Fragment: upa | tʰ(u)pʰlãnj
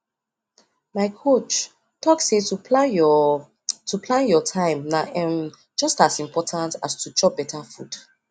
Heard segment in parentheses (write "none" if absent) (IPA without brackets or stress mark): u